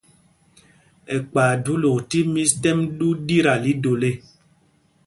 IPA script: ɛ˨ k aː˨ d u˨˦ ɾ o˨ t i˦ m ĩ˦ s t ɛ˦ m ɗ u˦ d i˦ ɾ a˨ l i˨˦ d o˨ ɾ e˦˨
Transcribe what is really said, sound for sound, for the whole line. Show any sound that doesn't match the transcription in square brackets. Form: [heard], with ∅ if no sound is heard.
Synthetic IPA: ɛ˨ [k͡p] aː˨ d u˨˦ [l] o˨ t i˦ m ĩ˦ s t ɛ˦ m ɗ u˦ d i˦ ɾ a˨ l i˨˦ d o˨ [l] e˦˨